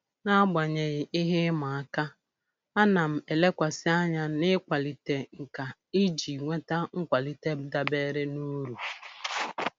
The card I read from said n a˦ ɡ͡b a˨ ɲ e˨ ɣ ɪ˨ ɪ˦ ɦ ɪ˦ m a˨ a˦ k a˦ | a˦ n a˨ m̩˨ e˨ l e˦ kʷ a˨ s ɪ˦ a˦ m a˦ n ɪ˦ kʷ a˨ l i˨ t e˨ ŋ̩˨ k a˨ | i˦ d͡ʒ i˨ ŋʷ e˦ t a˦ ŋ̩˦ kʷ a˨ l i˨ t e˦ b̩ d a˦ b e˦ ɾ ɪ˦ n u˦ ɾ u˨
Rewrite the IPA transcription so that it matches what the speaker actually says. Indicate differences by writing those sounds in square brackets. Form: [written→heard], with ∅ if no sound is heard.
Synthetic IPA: n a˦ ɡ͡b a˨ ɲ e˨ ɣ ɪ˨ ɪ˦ ɦ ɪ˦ m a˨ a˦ k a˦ | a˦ n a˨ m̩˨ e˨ l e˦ kʷ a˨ s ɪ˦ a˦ [m→ɲ] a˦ n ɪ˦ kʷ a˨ l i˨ t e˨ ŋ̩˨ k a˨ | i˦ d͡ʒ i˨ ŋʷ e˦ t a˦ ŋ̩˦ kʷ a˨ l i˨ t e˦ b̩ d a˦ b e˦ ɾ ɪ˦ n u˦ ɾ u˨